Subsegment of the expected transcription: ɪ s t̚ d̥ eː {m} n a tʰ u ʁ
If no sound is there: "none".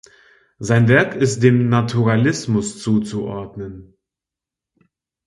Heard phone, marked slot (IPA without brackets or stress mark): m